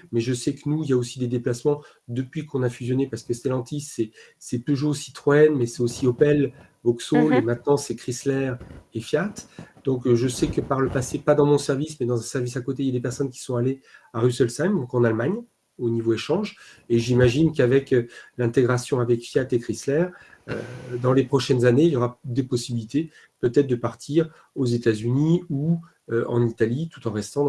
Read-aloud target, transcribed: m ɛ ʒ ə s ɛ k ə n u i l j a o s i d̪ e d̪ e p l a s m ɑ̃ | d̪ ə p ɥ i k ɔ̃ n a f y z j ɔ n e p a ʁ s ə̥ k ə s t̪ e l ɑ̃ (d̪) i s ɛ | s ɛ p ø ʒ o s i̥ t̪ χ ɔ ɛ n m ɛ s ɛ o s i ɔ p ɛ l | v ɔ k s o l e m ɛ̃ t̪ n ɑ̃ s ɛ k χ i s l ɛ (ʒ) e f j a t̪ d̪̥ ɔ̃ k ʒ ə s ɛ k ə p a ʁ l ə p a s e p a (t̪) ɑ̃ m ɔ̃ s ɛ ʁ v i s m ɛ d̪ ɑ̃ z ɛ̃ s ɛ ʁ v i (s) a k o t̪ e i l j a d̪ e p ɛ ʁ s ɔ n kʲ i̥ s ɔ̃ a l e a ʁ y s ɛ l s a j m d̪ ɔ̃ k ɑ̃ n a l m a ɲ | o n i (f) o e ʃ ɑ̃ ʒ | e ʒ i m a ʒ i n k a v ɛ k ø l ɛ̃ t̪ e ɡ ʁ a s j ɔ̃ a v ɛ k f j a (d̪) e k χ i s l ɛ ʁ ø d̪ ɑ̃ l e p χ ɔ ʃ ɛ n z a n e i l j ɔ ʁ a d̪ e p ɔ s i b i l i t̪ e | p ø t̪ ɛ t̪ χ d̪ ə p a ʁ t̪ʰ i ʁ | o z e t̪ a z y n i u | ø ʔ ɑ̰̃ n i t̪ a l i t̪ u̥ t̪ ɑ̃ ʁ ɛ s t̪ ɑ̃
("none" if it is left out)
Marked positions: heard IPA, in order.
t̪, ʁ, d̪, s, v, t̪

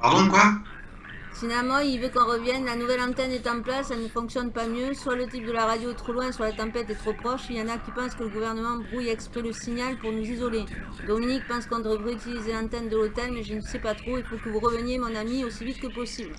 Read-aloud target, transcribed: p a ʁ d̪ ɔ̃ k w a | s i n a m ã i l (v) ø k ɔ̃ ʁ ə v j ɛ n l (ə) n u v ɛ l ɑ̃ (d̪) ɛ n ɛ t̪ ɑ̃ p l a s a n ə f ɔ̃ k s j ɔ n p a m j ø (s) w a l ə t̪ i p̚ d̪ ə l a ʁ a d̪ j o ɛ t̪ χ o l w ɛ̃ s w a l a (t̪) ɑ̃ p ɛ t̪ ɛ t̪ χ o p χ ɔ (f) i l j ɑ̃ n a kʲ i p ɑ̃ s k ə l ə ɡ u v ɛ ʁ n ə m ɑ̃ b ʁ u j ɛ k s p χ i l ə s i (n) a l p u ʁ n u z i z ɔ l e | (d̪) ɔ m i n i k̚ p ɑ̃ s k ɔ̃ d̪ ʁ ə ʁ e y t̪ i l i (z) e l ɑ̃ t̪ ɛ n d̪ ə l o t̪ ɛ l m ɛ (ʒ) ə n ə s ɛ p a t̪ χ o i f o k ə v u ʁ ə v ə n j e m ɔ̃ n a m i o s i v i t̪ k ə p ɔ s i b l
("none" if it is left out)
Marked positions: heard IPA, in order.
v, a, t̪, s, t̪, ʃ, ɲ, d̪, z, ʒ

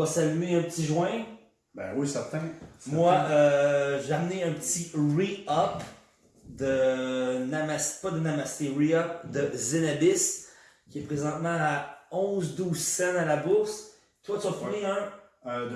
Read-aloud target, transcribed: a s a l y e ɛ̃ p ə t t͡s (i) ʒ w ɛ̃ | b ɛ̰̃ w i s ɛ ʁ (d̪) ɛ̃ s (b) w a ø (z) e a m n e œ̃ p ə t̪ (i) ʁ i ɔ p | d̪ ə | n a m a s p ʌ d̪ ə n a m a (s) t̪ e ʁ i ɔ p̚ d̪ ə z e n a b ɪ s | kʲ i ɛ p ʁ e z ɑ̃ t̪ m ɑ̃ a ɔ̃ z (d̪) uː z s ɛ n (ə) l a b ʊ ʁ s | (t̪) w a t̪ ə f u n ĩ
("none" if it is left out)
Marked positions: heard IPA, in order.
i, t̪, m, ʒ, i, s, d̪, a, t̪

